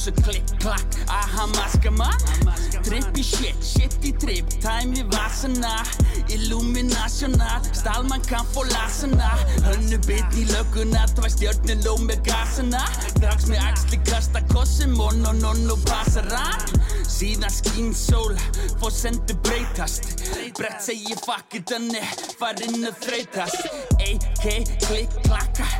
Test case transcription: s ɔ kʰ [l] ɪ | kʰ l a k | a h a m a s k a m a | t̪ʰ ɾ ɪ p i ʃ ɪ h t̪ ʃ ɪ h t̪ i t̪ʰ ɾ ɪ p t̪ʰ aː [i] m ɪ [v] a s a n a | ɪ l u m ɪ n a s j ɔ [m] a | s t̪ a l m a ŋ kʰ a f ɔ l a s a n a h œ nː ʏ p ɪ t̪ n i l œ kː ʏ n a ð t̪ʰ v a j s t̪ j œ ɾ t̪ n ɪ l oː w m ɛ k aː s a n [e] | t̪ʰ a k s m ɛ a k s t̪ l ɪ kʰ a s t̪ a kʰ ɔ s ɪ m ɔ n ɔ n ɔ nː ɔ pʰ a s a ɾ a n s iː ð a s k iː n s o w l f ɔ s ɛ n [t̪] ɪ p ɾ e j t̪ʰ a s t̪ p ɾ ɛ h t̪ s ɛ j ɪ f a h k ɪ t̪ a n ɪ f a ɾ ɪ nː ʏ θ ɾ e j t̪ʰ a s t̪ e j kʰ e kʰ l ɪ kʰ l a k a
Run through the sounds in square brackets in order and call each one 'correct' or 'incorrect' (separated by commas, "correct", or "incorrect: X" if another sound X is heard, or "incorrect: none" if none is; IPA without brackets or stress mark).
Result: correct, incorrect: j, correct, incorrect: n, incorrect: a, correct